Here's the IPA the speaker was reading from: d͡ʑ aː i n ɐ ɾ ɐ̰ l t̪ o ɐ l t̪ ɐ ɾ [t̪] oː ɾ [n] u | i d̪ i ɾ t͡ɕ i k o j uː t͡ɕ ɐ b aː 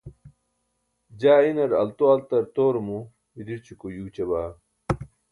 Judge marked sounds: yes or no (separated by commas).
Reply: yes, no